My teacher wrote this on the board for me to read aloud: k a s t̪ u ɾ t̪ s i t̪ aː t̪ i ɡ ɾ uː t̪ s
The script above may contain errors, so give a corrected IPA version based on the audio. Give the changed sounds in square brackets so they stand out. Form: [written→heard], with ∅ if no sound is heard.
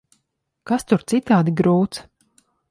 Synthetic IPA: k a s t̪ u ɾ t̪ s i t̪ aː [t̪→d̪] i ɡ ɾ uː t̪ s